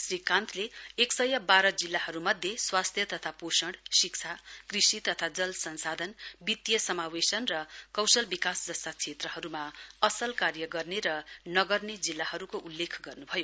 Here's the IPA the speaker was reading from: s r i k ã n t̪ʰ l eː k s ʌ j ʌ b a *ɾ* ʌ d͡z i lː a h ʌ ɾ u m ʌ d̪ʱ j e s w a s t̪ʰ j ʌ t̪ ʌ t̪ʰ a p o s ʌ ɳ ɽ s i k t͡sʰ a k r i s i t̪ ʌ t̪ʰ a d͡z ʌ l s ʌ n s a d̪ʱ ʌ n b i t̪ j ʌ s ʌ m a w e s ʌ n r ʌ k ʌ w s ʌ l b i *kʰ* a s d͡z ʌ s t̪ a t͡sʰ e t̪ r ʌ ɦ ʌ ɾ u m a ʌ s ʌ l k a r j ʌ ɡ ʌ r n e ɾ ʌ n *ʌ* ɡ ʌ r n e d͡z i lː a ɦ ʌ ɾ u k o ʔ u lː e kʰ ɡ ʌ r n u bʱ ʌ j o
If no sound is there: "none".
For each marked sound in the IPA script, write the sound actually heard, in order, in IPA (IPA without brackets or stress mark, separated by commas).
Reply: ɾ, k, ʌ